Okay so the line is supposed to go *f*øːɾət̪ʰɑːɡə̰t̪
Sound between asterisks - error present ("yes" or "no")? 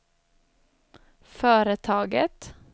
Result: no